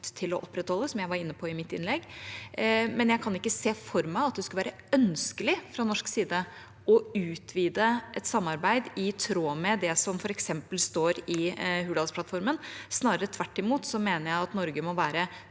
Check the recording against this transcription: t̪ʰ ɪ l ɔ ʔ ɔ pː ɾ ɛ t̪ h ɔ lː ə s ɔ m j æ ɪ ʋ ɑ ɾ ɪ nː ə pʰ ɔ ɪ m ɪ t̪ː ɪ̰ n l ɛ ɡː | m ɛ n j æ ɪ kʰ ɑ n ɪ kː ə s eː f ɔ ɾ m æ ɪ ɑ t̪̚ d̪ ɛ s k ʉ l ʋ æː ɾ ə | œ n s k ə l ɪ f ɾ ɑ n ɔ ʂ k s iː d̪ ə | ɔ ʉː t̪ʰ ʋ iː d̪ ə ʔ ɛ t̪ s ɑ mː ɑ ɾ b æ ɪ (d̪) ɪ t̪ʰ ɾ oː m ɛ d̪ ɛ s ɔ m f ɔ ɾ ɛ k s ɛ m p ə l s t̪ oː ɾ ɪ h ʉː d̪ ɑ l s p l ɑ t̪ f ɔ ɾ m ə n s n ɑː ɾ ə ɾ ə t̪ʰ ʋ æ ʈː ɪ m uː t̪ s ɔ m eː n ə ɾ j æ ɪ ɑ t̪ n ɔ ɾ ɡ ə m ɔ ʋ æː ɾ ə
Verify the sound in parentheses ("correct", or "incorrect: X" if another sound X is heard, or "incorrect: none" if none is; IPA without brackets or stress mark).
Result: correct